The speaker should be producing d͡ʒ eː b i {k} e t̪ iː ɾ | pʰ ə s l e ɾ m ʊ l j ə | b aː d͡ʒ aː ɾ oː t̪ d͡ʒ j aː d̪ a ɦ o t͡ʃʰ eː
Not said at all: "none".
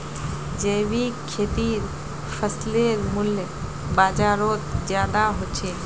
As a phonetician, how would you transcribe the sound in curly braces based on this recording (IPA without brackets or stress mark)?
kʰ